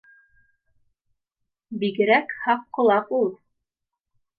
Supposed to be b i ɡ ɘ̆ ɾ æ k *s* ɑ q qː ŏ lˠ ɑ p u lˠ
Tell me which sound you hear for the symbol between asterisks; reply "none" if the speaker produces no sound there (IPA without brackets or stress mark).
h